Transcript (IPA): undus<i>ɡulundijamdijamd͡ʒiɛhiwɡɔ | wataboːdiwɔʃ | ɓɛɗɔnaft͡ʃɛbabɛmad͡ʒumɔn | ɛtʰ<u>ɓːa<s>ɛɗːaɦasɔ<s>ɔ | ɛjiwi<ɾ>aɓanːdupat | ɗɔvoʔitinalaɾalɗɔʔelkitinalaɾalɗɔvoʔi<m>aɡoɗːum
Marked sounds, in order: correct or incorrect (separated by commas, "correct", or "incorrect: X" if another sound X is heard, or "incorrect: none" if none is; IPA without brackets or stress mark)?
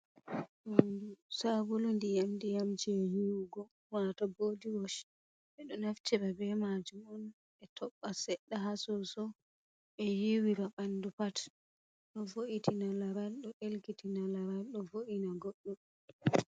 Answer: incorrect: a, incorrect: ɔ, correct, correct, correct, incorrect: n